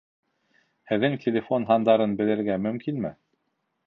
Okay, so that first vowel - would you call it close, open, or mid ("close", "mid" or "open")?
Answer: mid